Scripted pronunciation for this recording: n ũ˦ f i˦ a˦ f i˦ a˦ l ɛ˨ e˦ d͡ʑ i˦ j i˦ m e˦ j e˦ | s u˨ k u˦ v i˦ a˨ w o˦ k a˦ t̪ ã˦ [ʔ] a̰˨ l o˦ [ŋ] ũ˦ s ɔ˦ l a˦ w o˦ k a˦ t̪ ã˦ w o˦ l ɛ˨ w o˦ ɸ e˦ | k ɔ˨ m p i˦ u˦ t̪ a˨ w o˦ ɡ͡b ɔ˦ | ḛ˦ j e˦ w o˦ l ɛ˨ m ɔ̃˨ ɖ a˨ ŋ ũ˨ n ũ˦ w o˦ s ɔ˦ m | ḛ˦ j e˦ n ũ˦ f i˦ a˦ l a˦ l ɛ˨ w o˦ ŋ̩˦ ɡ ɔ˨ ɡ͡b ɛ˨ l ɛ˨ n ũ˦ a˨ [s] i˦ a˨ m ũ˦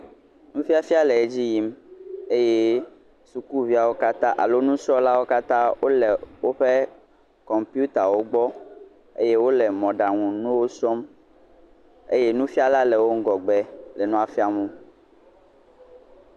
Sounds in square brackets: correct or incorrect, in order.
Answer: correct, incorrect: n, incorrect: f

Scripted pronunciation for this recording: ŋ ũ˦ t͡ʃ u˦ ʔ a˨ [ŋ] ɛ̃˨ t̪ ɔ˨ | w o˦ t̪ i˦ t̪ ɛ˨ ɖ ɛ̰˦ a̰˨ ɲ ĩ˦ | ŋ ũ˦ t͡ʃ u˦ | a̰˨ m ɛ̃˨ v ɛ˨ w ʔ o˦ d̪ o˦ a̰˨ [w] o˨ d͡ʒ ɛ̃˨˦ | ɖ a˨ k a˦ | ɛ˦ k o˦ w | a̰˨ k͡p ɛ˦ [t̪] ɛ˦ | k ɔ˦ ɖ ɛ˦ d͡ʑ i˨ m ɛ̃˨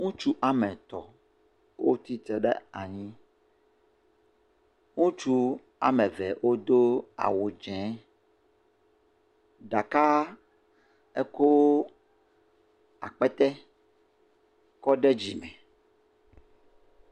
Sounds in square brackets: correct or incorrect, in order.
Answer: incorrect: m, correct, correct

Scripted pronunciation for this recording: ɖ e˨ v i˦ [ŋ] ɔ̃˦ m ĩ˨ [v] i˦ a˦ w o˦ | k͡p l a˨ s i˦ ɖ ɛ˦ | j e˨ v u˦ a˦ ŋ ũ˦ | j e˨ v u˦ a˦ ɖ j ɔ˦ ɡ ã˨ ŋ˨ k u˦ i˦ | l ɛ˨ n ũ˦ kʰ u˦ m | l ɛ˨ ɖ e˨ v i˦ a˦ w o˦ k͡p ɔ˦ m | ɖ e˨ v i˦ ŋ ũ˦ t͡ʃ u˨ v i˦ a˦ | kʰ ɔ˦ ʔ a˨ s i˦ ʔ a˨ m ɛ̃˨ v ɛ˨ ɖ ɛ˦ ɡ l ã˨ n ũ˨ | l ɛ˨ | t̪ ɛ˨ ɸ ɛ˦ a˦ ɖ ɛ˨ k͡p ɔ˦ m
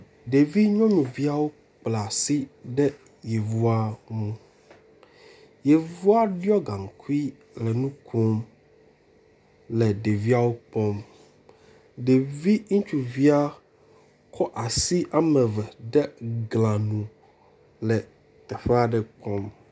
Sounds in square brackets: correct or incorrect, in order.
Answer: incorrect: ɲ, correct

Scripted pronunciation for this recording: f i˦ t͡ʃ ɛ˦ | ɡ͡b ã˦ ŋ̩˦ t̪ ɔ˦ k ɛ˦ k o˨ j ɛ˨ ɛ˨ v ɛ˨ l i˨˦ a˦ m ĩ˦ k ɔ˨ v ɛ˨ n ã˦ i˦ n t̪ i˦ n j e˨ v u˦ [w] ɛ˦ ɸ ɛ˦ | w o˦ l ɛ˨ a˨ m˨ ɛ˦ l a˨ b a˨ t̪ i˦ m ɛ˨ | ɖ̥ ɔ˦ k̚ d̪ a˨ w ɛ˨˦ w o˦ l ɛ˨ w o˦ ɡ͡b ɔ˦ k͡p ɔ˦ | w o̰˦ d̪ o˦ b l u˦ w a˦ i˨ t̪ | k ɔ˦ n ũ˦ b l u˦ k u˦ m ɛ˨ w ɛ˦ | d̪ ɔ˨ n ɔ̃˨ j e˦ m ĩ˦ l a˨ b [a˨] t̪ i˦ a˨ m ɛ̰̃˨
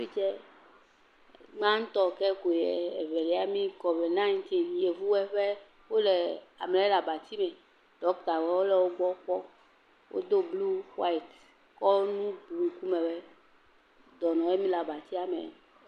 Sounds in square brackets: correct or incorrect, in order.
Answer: correct, correct

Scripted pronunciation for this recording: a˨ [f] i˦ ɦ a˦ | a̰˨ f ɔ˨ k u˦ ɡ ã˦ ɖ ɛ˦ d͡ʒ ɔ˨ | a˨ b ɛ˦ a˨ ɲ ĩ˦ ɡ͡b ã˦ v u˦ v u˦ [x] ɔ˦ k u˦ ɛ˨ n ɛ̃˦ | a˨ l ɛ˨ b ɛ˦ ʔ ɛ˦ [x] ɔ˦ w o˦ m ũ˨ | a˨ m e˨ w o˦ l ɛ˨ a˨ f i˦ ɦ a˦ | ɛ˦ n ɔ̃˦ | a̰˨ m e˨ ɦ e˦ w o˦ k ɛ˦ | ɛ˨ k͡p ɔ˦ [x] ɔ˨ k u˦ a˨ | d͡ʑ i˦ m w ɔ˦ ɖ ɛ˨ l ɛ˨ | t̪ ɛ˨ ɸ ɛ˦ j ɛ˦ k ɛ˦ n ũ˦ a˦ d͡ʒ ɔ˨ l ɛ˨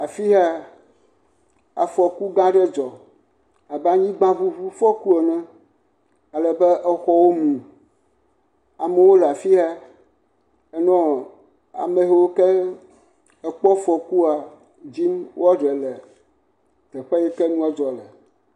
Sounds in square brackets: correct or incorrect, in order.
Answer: correct, incorrect: f, correct, incorrect: f

